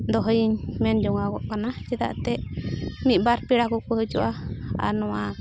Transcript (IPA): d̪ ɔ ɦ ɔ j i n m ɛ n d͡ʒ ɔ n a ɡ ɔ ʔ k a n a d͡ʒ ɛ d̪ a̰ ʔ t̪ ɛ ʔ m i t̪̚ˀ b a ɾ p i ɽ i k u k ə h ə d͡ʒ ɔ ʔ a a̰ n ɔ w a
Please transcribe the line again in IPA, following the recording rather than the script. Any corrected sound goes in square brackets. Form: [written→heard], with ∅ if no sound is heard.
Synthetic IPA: d̪ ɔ ɦ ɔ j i [n→ɲ] m ɛ n d͡ʒ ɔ [n→ŋ] a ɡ ɔ ʔ k a n a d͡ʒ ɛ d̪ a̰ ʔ t̪ ɛ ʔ m i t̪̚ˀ b a ɾ p i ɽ [i→a] k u k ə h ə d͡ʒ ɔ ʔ a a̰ n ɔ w a